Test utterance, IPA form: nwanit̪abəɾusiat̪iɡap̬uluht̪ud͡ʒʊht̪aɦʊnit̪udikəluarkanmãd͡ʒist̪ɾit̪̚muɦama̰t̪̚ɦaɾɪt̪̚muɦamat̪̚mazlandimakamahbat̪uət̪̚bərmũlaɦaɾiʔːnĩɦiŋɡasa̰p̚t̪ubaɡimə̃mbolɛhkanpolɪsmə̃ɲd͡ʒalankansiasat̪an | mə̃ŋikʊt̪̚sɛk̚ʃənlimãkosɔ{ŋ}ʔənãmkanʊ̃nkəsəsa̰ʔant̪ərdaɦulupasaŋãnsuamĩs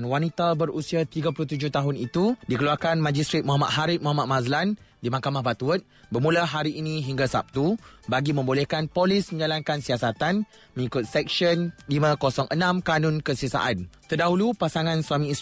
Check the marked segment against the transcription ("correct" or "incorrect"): correct